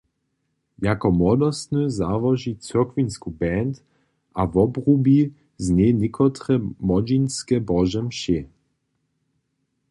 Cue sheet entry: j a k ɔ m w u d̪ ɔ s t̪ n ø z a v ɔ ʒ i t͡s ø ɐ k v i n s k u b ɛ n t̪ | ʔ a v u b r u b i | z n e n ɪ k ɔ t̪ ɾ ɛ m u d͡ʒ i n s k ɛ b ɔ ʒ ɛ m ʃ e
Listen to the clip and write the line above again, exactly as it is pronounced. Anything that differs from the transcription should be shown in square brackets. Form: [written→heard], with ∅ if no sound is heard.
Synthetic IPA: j a k ɔ m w [u→ɔ] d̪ ɔ s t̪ n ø z a v ɔ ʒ i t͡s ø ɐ k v i n s k u b ɛ n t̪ | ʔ a v [u→ɔ] b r u b i | z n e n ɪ k ɔ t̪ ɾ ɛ m [u→ɔ] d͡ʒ i n s k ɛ b ɔ ʒ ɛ m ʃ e